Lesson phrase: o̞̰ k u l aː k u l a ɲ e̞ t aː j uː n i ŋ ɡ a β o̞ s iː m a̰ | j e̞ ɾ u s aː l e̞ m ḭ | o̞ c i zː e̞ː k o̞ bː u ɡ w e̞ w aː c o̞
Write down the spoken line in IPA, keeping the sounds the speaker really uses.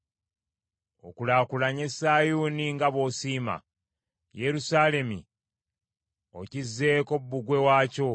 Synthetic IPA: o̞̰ k u l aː k u l a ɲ e̞ s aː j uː n i ŋ ɡ a β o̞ s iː m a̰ | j e̞ ɾ u s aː l e̞ m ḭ | o̞ c i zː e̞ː k o̞ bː u ɡ w e̞ w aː c o̞